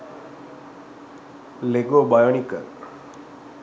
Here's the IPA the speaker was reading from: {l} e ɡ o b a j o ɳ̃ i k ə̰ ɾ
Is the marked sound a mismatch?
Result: no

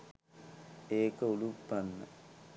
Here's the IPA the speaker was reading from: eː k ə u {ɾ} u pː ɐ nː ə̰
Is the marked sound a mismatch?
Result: yes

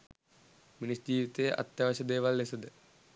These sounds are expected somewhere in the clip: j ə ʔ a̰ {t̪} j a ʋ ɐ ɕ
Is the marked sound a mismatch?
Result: no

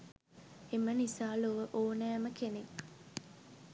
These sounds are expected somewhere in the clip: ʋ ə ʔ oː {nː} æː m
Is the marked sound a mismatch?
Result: yes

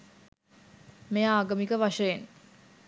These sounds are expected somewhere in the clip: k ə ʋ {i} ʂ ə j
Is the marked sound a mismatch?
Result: yes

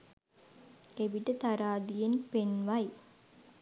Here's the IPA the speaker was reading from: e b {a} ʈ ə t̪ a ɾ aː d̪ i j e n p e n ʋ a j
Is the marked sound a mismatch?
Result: yes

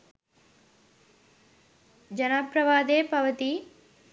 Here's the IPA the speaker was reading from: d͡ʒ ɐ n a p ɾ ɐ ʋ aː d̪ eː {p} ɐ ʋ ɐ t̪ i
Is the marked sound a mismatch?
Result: no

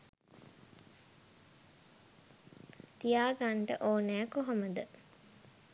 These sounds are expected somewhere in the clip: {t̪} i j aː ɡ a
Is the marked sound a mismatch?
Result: no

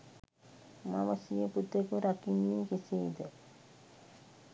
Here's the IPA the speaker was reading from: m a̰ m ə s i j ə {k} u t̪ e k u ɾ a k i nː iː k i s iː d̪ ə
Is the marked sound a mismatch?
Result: yes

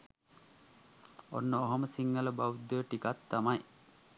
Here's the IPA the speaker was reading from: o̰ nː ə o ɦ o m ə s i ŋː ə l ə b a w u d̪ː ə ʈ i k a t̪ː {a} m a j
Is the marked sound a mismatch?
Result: no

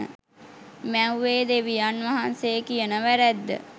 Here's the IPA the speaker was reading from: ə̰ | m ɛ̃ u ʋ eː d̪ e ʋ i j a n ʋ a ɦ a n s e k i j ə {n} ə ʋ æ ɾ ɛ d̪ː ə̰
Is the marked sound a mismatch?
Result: no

